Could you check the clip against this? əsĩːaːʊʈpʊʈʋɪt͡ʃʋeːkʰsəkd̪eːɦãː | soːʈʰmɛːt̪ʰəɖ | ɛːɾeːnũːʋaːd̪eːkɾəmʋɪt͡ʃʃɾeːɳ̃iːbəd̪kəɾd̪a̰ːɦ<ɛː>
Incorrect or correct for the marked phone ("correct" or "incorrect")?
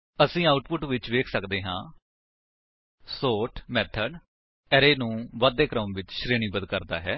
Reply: correct